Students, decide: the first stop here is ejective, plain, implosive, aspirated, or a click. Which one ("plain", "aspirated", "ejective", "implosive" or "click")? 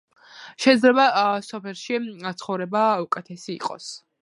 plain